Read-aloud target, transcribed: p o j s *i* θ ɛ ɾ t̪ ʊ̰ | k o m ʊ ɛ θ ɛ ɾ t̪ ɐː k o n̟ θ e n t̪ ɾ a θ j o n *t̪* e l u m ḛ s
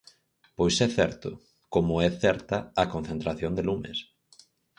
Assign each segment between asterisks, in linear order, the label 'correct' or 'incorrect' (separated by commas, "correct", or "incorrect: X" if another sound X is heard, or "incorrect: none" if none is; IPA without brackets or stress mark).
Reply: incorrect: ɛ, incorrect: d̪